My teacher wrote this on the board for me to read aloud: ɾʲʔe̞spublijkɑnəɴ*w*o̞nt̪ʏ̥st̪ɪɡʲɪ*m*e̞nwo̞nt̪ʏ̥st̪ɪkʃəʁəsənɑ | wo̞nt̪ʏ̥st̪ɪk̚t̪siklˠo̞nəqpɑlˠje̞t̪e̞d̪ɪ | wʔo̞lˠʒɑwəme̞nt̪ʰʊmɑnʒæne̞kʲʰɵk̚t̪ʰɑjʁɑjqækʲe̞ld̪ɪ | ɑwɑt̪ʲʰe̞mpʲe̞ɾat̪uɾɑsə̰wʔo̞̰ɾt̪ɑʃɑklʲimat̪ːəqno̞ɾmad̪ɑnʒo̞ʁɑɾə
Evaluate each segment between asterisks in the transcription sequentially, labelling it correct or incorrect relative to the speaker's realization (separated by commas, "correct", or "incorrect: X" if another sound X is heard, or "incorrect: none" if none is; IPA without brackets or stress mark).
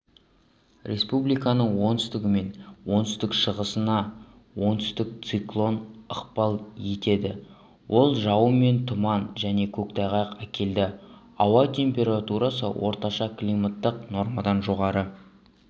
correct, correct